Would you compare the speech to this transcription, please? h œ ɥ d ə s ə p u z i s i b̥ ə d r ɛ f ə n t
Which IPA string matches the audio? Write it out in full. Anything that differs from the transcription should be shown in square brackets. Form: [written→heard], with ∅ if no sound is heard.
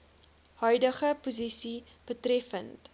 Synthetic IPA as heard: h œ ɥ d ə [s→χ] ə p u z i s i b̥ ə [d→t] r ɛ f ə n t